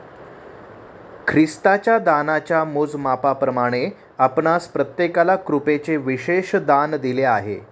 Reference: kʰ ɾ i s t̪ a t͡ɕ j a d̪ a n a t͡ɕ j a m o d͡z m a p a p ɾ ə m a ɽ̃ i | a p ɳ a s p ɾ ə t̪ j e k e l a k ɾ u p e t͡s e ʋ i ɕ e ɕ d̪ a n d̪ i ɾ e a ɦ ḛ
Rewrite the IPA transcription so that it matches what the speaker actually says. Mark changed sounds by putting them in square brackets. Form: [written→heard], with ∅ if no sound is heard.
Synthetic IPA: kʰ ɾ i s t̪ a t͡ɕ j a d̪ a n a t͡ɕ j a m o d͡z m a p a p ɾ ə m a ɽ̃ [i→e] | a p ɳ a s p ɾ ə t̪ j e k [e→a] l a k ɾ u p e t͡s e ʋ i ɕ e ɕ d̪ a n d̪ i [ɾ→l] e a ɦ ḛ

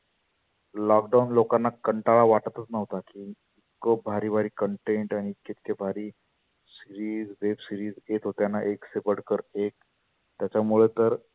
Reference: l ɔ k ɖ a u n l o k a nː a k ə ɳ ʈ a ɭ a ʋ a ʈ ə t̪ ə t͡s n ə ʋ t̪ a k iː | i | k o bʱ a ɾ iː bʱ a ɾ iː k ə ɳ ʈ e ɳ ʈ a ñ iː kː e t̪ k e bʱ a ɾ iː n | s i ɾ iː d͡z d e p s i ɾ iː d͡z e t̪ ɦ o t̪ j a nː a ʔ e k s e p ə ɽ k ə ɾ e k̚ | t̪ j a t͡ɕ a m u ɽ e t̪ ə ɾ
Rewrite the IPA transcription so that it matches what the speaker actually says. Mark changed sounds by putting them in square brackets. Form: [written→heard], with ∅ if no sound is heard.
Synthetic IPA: l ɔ k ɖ a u n l o k a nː a k ə ɳ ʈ a ɭ a ʋ a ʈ ə t̪ ə t͡s n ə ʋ t̪ a k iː | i | k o bʱ a ɾ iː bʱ a ɾ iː k ə ɳ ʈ e ɳ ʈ a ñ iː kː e t̪ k e bʱ a ɾ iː [n→∅] | s i ɾ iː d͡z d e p s i ɾ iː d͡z e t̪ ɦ o t̪ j a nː a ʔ e k s e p ə ɽ k ə ɾ e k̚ | t̪ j a t͡ɕ a m u [ɽ→ɭ] e t̪ ə ɾ

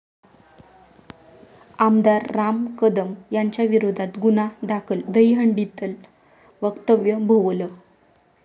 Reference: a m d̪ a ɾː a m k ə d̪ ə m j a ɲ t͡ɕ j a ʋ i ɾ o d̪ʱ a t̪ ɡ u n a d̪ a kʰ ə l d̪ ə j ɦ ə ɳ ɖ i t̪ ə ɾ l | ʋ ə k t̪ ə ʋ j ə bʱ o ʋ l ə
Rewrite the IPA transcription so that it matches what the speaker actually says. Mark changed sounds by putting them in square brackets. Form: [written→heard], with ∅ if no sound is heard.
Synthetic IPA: a m d̪ a ɾː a m k ə d̪ ə m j a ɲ t͡ɕ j a ʋ i ɾ o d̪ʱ a t̪ ɡ u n a d̪ a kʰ ə l d̪ ə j ɦ ə ɳ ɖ i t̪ ə [ɾ→∅] l | ʋ ə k t̪ ə ʋ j ə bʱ o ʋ l ə

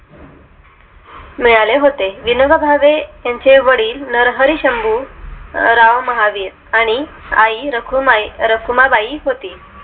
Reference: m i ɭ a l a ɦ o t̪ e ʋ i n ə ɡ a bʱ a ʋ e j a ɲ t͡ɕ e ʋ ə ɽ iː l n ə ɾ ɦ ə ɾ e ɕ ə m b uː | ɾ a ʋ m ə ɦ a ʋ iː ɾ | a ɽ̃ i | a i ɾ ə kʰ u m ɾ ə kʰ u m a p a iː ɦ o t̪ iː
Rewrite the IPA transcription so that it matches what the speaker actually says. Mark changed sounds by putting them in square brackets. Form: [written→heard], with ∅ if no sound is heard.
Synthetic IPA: m i ɭ a l [a→e] ɦ o t̪ e ʋ i n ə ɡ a bʱ a ʋ e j a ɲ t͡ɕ e ʋ ə ɽ iː l n ə ɾ ɦ ə ɾ [e→i] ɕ ə m b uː | ɾ a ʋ m ə ɦ a ʋ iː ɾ | a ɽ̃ i | a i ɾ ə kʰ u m ɾ ə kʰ u m a [p→b] a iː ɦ o t̪ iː

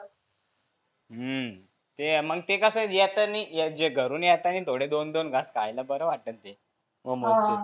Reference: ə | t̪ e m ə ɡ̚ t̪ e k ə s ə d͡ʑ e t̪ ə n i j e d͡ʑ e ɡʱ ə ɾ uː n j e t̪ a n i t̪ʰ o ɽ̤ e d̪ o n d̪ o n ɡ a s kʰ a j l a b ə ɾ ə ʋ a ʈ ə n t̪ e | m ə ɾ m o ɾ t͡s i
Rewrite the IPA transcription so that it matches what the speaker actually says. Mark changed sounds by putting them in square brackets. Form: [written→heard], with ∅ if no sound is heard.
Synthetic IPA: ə | t̪ e m ə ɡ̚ t̪ e k ə s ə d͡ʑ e t̪ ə n i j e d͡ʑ e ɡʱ ə ɾ uː n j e t̪ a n i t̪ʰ o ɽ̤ e d̪ o n d̪ o n ɡ a s [kʰ→k] a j l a b ə ɾ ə ʋ a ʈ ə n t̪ e | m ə [ɾ→∅] m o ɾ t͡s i

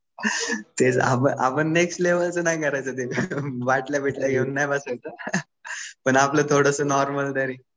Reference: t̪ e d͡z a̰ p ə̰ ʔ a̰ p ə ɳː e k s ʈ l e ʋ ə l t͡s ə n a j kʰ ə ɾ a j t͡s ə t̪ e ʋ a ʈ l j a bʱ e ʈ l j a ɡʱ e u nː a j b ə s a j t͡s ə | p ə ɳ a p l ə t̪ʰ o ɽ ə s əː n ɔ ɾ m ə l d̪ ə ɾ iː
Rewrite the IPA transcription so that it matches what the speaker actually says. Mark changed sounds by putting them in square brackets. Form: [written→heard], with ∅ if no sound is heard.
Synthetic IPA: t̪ e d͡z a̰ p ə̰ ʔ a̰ p ə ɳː e k s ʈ l e ʋ ə l t͡s ə n a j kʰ ə ɾ a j t͡s ə t̪ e ʋ a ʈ l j a bʱ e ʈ l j a ɡʱ e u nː a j b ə s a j t͡s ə | p ə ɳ a p l ə t̪ʰ o ɽ ə s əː n ɔ ɾ m ə l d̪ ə ɾ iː

